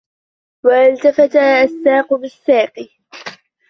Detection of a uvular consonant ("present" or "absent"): present